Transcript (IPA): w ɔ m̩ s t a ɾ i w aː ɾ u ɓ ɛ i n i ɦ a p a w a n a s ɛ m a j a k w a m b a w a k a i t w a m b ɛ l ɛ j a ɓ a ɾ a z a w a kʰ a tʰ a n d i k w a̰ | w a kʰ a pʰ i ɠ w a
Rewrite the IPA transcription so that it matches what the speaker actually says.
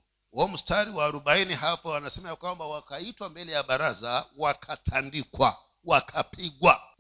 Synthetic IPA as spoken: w ɔ m̩ s t a ɾ i w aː ɾ u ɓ a i n i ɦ a p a w a n a s ɛ m a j a k w a m b a w a k a i t w a m b ɛ l ɛ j a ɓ a ɾ a z a w a kʰ a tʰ a n d i k w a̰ | w a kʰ a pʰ i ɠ w a